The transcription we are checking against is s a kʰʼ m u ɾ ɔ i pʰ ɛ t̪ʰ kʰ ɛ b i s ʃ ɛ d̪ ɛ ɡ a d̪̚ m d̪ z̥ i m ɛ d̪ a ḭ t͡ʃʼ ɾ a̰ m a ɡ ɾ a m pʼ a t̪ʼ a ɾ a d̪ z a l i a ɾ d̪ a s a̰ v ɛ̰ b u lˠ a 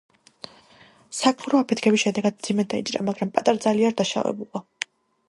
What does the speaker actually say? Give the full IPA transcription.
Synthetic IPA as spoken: s a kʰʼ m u ɾ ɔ a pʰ ɛ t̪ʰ kʰ ɛ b i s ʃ ɛ d̪ ɛ ɡ a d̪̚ m d̪ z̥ i m ɛ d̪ a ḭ t͡ʃʼ ɾ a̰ m a ɡ ɾ a m pʼ a t̪ʼ a ɾ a d̪ z a l i a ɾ d̪ a ʃ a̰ v ɛ̰ b u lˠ a